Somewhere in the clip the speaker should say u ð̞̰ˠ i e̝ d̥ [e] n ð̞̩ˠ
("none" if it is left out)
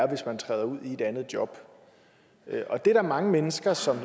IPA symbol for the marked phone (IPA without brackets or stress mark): æ